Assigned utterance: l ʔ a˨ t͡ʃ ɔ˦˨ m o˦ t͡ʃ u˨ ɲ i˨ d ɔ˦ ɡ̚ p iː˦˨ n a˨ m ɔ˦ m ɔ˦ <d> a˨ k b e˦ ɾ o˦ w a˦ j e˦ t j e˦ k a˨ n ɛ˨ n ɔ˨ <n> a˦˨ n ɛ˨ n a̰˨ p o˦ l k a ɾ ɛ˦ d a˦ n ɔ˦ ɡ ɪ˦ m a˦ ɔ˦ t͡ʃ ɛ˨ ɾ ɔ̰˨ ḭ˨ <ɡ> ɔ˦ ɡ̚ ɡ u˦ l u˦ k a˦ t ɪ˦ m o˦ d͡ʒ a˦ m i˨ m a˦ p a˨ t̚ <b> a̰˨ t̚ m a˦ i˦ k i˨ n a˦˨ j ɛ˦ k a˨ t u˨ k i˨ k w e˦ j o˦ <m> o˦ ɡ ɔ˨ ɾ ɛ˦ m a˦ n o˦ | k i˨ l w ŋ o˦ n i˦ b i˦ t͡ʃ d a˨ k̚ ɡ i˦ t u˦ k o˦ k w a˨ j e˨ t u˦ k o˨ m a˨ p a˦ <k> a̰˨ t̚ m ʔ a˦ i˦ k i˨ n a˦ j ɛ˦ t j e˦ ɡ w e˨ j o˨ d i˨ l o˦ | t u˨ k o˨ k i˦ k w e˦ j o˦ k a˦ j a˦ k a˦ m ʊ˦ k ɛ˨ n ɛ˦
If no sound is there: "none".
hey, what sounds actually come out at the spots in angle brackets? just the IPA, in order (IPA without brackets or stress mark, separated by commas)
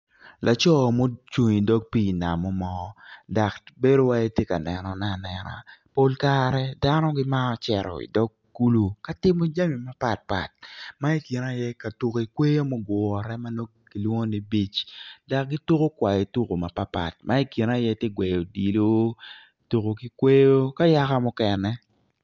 d, n, d, p, m, p